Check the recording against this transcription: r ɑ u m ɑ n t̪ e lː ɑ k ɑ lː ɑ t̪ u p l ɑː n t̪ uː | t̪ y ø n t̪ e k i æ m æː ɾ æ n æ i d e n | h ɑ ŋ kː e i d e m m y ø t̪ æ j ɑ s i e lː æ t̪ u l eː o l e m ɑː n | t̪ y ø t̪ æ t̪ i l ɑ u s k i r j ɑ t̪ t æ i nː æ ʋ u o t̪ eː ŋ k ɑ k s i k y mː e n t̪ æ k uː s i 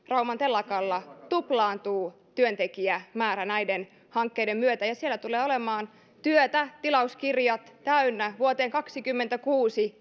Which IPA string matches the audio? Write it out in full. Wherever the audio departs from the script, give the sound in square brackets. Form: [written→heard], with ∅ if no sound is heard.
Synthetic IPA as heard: r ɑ u m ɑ n t̪ e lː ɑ k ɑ lː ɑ t̪ u p l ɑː n t̪ uː | t̪ y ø n t̪ e k i æ m æː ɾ æ n æ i d e n | h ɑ ŋ kː e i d e m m y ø t̪ æ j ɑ s i e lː æ t̪ u l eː o l e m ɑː n | t̪ y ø t̪ æ t̪ i l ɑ u s k i r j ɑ t̪ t æ [i→y] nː æ ʋ u o t̪ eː ŋ k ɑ k s i k y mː e n t̪ æ k uː s i

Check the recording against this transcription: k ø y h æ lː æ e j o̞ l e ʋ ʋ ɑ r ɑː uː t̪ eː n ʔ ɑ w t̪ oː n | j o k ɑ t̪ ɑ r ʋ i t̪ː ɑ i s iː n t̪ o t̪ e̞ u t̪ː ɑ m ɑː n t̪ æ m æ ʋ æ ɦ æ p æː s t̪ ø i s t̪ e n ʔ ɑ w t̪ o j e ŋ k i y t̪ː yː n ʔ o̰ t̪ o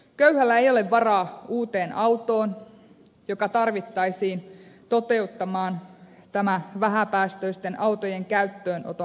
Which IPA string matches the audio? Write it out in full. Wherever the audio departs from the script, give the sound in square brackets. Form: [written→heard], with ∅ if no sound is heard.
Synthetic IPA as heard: k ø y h æ lː æ e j o̞ l e ʋ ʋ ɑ r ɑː uː t̪ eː n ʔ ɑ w t̪ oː n | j o k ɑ t̪ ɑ r ʋ i t̪ː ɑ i s iː n t̪ o t̪ e̞ u t̪ː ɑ m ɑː n t̪ æ m æ ʋ æ ɦ æ p æː s t̪ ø i s t̪ e n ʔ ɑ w t̪ o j e ŋ k [i→æ] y t̪ː [yː→øː] n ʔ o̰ t̪ o

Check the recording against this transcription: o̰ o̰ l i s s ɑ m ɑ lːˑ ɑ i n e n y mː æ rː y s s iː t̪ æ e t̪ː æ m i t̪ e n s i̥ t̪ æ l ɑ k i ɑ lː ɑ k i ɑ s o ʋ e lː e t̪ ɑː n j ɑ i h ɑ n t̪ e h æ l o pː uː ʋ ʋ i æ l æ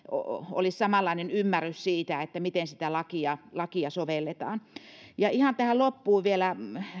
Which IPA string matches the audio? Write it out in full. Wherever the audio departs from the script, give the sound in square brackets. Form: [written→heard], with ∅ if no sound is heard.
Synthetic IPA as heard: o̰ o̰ l i s s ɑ m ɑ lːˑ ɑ i n e n y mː æ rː y s s iː t̪ æ e t̪ː æ m i t̪ e n s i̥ t̪ æ l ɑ k i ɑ [lː→l] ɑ k i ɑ s o ʋ e lː e t̪ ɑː n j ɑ i h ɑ n t̪ [e→æ] h æ l o pː uː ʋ ʋ i [æ→e] l æ

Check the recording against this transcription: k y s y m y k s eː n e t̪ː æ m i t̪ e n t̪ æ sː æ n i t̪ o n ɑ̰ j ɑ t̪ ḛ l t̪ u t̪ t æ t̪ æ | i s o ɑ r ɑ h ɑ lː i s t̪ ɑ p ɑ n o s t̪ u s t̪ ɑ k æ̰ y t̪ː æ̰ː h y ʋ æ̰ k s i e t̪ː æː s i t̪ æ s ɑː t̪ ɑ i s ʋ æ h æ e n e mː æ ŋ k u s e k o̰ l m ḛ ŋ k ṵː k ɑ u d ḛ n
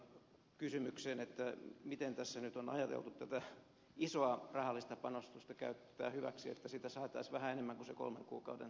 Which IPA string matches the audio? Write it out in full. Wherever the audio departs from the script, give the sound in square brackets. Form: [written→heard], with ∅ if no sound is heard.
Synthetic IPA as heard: k y s y m y k s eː n e t̪ː æ m i t̪ e n t̪ æ sː æ n [i→y] t̪ o n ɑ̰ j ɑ t̪ ḛ l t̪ u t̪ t æ t̪ æ | i s o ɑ r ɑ h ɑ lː i s t̪ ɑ p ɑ n o s t̪ u s t̪ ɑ k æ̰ y t̪ː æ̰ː h y ʋ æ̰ k s i e t̪ː [æː→æ] s i t̪ æ s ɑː t̪ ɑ i s ʋ æ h æ e n e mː æ ŋ k u s e k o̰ l m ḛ ŋ k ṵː k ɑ u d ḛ n

